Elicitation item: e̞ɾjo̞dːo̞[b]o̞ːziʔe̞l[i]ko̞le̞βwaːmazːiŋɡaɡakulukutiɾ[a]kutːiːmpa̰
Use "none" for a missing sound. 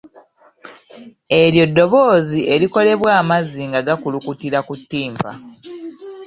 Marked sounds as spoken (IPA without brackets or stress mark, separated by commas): β, i, a